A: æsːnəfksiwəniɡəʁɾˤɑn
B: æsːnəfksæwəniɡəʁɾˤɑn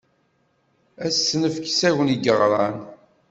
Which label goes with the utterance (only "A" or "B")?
B